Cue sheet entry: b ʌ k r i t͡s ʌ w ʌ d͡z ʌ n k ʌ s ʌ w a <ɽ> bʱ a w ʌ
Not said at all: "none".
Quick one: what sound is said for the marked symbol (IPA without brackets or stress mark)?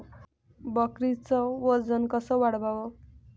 ɽ